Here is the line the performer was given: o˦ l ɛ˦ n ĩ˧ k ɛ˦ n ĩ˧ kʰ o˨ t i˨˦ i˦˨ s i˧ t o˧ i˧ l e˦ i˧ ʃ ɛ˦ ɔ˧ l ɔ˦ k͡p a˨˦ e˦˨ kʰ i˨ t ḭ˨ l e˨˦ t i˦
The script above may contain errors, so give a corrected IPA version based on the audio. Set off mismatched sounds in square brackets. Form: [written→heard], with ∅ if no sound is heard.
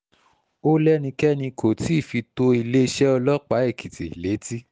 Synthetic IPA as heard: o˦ l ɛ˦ n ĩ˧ k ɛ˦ n ĩ˧ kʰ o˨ t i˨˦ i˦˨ [s→f] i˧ t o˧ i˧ l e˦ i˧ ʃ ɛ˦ ɔ˧ l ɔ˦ k͡p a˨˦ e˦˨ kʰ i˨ t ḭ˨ l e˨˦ t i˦